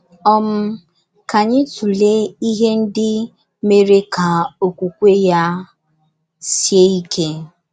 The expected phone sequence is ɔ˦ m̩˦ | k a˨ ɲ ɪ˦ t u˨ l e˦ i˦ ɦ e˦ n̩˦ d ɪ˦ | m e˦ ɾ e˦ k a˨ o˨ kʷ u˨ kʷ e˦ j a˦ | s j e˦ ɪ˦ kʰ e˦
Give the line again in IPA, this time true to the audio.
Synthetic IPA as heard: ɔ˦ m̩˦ | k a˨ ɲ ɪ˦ t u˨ l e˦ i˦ ɦ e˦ n̩˦ d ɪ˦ | m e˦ ɾ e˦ k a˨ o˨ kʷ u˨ kʷ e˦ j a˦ | s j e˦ i˦ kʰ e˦